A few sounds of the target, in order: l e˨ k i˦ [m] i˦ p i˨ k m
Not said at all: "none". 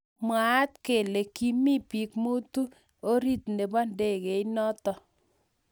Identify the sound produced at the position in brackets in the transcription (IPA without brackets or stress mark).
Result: m